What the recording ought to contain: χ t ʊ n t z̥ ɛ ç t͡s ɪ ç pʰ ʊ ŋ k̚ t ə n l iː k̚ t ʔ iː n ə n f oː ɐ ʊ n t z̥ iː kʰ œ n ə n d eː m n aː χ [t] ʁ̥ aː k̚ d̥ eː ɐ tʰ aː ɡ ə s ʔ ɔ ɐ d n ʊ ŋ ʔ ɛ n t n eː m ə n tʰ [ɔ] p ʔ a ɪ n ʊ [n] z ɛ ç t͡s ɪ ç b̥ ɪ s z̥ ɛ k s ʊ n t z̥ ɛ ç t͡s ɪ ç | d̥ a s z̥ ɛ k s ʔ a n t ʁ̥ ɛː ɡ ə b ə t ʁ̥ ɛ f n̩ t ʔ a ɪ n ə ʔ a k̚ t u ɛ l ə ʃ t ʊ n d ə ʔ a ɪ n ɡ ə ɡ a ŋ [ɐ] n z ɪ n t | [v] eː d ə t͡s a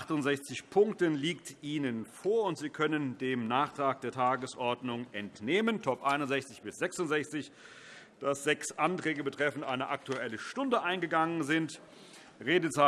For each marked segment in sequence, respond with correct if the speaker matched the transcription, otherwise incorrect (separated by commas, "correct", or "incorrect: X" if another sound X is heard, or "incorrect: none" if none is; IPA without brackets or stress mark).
correct, correct, correct, incorrect: ə, incorrect: ʁ